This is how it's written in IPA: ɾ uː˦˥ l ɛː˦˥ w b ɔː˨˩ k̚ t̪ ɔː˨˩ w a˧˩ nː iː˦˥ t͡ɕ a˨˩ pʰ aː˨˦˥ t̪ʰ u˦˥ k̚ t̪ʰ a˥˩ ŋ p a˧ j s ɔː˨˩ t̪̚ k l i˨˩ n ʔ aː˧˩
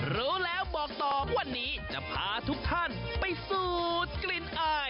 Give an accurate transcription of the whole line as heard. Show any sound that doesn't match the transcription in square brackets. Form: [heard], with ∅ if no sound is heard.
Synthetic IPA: ɾ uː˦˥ l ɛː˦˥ w b ɔː˨˩ k̚ t̪ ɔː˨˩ w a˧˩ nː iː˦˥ t͡ɕ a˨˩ pʰ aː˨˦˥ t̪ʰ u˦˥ k̚ t̪ʰ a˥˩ [n] p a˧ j s [uː˨˩] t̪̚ k l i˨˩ n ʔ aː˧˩